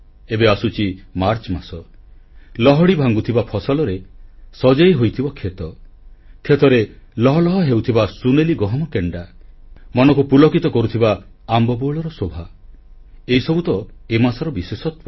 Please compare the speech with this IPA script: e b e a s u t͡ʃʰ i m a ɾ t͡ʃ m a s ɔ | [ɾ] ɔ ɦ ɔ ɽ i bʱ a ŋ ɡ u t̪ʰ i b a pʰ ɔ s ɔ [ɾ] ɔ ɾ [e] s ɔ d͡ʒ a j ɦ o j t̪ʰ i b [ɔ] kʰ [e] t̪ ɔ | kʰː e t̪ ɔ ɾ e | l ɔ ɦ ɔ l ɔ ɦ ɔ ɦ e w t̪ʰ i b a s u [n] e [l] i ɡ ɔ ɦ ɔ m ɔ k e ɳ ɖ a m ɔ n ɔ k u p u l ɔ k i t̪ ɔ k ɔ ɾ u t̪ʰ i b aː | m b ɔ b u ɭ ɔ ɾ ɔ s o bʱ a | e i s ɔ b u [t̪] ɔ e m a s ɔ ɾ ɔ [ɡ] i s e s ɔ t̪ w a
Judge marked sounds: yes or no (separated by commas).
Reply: no, no, yes, yes, yes, yes, yes, yes, no